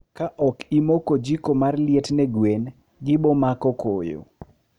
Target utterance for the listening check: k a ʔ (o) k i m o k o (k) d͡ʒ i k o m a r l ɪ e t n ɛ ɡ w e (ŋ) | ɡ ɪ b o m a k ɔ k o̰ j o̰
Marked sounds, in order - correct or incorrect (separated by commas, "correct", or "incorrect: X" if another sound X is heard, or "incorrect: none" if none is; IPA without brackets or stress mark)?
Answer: incorrect: ɔ, incorrect: none, incorrect: n